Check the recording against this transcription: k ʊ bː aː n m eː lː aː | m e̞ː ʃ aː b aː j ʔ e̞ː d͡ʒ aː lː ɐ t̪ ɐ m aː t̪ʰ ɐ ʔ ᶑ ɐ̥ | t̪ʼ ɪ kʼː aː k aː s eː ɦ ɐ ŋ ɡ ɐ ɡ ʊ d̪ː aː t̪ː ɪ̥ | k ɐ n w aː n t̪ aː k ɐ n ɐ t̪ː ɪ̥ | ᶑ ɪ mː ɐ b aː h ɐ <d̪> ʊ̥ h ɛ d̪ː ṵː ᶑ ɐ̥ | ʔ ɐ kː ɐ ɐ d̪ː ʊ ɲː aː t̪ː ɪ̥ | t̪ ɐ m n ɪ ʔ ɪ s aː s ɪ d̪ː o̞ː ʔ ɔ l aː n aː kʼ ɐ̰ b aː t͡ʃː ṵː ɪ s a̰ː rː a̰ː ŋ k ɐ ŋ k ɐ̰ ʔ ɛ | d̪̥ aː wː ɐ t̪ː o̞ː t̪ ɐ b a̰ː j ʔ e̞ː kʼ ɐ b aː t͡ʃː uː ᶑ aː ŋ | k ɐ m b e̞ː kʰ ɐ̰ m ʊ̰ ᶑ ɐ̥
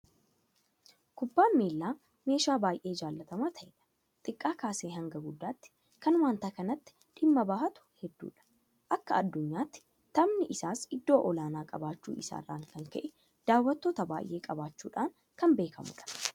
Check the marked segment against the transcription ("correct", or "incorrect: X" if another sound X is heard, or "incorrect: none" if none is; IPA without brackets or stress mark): incorrect: t̪